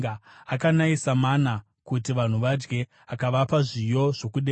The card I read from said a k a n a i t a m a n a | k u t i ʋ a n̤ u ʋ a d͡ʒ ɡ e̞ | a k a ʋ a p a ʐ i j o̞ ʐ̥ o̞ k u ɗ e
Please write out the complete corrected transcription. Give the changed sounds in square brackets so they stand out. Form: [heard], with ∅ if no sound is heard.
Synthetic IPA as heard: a k a n a i [s] a m a n a | k u t i ʋ a n̤ u ʋ a d͡ʒ ɡ e̞ | a k a ʋ a p a ʐ i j o̞ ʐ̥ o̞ k u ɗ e